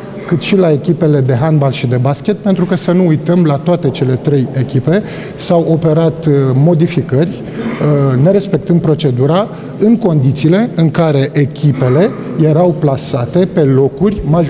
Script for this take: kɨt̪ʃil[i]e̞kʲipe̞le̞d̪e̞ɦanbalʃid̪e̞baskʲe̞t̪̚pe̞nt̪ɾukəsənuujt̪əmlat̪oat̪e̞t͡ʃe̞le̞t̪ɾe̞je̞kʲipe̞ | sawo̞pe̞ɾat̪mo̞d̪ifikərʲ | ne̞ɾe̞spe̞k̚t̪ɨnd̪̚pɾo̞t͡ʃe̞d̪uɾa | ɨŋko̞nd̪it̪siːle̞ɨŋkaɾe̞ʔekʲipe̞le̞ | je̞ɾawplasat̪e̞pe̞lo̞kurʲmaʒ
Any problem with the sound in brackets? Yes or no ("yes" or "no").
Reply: yes